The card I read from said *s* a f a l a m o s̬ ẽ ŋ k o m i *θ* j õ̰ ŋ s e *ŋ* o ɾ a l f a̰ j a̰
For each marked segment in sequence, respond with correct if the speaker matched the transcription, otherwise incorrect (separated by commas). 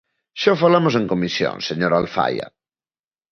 incorrect, incorrect, incorrect